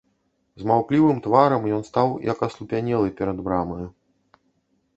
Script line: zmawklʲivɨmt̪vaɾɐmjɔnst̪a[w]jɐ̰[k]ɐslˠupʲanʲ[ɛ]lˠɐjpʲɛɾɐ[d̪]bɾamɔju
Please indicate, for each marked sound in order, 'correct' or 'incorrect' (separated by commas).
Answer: correct, correct, correct, correct